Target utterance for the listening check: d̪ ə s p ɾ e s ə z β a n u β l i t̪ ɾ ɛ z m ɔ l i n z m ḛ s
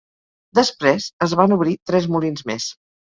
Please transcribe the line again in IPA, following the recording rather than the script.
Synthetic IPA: d̪ ə s p ɾ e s ə z β a n u β ɾ i t̪ ɾ ɛ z m u l i n z m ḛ s